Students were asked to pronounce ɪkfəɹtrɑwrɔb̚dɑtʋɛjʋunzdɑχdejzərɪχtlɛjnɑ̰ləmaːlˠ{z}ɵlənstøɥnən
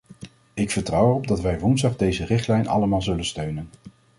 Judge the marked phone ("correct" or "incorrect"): correct